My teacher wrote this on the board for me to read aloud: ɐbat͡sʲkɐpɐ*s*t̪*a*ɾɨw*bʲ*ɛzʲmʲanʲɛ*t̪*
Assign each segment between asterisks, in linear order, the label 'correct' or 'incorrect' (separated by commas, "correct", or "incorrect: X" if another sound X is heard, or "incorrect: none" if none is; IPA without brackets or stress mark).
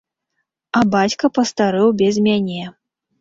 correct, correct, correct, incorrect: none